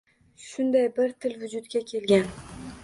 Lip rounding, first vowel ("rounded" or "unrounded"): rounded